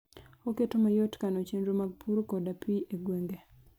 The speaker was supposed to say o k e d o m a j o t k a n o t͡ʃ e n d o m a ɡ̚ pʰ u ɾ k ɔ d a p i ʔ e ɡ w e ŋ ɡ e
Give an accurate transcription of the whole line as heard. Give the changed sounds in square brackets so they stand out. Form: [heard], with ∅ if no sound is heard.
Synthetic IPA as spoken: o k e [t] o m a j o t k a n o t͡ʃ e n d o m a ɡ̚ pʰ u ɾ k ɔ d a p i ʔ e ɡ w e ŋ ɡ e